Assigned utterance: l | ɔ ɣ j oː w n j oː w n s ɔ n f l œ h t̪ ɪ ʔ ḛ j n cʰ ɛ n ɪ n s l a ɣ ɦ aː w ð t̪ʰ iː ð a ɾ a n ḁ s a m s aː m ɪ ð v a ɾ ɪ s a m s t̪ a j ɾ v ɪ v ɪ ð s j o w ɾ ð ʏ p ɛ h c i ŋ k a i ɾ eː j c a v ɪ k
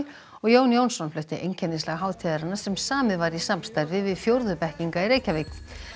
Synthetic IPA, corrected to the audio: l | ɔ ɣ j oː w n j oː w n s ɔ n f l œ h t̪ ɪ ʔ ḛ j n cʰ ɛ n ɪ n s l a ɣ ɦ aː w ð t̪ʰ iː ð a ɾ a n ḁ s ɛ m s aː m ɪ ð v a ɾ i s a m s t̪ a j ɾ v ɪ v ɪ ð f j o w ɾ ð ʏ p ɛ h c i ŋ k a i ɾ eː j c a v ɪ k